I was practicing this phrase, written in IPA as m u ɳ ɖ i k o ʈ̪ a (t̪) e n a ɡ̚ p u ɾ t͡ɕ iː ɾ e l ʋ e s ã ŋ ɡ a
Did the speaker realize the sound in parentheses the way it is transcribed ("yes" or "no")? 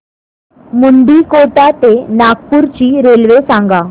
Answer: yes